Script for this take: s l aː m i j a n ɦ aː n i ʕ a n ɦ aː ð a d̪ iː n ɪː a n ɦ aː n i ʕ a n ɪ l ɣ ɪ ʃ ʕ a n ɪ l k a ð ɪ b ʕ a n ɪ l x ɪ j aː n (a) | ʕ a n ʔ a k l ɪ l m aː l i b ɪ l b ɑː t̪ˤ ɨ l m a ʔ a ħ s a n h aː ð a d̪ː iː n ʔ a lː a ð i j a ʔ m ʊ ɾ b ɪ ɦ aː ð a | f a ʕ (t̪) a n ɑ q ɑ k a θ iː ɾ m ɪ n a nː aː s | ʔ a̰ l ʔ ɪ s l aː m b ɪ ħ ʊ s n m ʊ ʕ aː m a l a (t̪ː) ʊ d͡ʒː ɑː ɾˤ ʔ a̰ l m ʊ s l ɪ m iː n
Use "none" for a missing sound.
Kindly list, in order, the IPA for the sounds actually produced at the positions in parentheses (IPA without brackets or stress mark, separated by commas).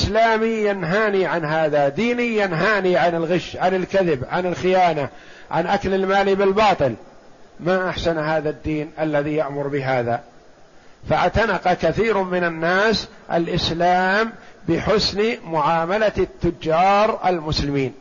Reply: a, t̪, t̪ː